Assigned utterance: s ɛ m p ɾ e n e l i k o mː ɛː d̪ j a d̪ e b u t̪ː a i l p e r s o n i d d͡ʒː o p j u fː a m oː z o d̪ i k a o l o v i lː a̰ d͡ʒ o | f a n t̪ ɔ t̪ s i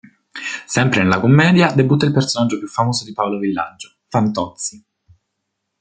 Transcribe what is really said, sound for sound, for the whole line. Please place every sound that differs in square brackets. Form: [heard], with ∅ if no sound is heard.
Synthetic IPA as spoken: s ɛ m p ɾ e n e l [a] k o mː ɛː d̪ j a d̪ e b u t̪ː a i l p e r s o n [a] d d͡ʒː o p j u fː a m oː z o d̪ i [p] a o l o v i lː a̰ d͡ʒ o | f a n t̪ ɔ t̪ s i